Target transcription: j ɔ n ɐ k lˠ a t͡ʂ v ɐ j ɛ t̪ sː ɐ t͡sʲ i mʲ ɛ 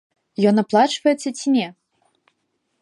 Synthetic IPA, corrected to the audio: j ɔ n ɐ p lˠ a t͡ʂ v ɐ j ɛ t̪ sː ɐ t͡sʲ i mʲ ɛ